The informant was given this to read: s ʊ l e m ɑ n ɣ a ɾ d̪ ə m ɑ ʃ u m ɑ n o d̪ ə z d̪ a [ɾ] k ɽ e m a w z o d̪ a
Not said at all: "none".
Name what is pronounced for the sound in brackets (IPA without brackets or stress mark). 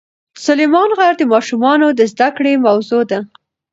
none